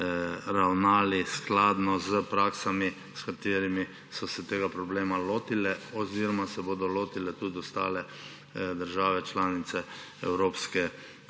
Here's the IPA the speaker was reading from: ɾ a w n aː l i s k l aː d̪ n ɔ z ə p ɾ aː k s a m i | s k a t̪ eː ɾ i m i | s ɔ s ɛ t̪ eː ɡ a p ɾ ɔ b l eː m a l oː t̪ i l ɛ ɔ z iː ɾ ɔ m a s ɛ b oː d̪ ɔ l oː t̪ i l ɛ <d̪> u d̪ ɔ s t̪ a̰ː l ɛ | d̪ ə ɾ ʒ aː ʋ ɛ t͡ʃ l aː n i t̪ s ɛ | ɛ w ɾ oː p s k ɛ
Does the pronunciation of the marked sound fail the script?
yes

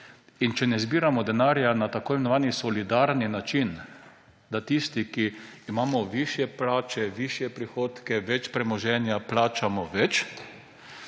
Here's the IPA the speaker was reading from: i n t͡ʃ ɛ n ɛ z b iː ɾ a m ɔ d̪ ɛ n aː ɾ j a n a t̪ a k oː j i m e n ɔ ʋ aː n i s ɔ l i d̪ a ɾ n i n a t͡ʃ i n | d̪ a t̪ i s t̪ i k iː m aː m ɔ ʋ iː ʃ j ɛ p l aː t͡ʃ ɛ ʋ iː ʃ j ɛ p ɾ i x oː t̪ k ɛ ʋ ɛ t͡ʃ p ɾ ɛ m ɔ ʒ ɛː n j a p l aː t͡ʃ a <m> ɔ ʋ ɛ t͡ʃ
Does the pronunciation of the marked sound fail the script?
no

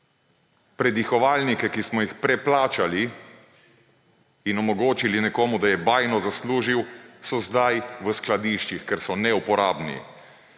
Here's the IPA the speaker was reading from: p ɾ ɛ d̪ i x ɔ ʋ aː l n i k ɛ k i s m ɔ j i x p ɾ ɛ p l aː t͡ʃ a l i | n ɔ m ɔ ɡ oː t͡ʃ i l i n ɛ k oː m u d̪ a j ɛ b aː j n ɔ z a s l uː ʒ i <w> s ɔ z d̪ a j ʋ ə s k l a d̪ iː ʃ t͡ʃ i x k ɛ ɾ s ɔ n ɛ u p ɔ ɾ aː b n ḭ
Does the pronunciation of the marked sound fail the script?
no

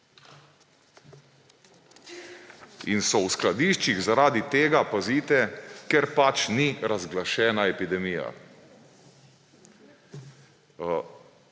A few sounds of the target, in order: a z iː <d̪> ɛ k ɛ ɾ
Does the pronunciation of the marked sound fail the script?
yes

